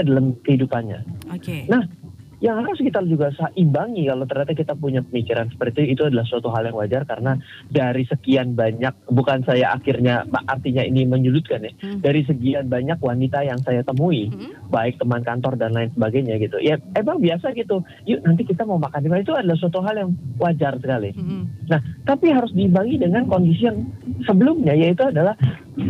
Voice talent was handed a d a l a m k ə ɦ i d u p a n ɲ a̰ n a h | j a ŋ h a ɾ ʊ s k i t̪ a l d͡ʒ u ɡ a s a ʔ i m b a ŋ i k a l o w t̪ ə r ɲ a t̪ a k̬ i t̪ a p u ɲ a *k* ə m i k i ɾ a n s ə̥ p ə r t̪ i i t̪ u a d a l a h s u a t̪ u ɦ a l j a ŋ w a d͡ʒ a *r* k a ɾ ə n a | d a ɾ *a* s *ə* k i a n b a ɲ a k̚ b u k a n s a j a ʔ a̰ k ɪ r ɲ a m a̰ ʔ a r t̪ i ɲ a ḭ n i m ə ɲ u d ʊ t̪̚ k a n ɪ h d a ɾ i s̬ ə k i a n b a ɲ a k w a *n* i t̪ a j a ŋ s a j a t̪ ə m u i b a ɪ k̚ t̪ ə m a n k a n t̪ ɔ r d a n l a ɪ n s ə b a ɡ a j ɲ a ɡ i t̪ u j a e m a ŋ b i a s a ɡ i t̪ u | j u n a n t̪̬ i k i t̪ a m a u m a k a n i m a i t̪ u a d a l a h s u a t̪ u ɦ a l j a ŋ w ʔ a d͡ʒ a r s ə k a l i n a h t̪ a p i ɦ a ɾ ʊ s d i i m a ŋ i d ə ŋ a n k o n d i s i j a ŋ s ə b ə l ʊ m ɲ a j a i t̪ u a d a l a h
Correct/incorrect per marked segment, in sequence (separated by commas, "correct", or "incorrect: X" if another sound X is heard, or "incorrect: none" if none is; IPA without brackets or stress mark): incorrect: p, correct, incorrect: i, correct, correct